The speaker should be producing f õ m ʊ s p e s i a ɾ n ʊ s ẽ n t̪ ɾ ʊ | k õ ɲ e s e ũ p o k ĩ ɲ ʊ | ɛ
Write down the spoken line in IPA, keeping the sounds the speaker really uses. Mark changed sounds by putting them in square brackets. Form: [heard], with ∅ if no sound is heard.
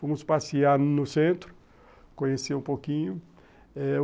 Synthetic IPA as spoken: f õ m ʊ s p [a] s i a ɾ n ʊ s ẽ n t̪ ɾ ʊ | k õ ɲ e s e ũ p o k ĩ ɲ ʊ | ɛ